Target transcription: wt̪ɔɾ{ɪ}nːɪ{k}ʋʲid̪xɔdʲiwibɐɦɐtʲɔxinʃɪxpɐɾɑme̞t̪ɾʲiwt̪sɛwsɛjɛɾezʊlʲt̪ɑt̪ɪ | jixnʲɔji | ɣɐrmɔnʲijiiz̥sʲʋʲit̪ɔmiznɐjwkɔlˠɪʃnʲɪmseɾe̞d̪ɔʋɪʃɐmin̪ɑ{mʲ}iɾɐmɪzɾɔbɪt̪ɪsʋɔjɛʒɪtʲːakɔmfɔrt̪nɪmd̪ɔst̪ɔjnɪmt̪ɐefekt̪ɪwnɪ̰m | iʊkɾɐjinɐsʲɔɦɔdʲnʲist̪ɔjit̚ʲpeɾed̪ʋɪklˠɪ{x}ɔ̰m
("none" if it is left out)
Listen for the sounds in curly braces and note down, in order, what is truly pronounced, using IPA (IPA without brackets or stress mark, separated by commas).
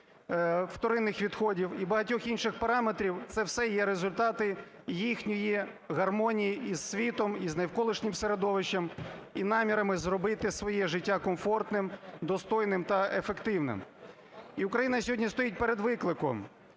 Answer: ɪ, x, mʲ, k